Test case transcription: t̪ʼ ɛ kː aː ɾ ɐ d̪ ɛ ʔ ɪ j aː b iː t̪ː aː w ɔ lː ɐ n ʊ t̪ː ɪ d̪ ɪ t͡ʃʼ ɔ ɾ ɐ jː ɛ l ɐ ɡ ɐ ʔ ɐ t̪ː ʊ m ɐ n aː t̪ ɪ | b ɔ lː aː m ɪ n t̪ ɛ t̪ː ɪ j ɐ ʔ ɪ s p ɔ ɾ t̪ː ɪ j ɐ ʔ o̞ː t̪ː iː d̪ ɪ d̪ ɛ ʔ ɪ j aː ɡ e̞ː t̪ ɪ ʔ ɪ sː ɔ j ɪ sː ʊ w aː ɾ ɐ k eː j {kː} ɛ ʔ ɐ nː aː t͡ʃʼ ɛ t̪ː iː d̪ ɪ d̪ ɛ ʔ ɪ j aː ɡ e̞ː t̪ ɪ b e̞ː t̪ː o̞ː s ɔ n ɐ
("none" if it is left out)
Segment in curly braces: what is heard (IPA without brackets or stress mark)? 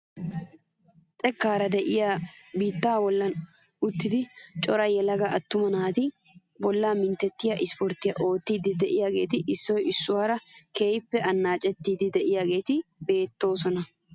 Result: pː